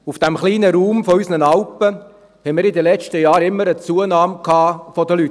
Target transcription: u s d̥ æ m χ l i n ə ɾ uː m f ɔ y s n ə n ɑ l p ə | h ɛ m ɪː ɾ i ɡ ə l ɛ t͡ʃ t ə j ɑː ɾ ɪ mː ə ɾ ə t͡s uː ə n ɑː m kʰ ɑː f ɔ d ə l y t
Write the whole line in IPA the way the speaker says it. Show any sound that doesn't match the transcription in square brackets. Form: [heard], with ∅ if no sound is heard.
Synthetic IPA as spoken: u [f] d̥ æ m χ l [iː] n ə ɾ uː m f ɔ y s n ə n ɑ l p ə | h ɛ m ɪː ɾ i [d] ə l ɛ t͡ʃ t ə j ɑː ɾ ɪ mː ə ɾ ə t͡s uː ə n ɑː m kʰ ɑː f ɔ d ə l y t